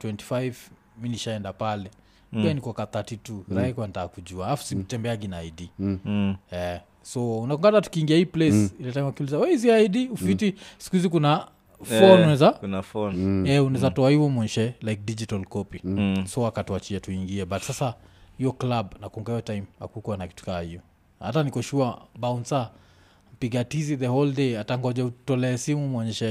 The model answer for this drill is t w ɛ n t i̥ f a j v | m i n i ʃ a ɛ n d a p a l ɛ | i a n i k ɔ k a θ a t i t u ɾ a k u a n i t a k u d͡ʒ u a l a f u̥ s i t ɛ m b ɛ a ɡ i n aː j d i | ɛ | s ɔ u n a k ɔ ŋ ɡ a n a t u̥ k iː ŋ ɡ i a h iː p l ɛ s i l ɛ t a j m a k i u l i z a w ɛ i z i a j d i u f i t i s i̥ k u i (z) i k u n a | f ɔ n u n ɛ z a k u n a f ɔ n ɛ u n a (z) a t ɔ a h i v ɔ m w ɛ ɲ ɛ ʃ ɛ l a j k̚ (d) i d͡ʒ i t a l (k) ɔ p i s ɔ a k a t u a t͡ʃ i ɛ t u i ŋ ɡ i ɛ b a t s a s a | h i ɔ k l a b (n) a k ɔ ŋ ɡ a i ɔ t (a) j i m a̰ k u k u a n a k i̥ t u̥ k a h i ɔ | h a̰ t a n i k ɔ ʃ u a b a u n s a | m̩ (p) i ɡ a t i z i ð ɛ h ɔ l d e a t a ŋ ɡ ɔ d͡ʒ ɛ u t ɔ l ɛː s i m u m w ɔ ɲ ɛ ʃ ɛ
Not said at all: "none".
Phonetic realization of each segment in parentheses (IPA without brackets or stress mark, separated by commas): z, z, d, k, n, a, p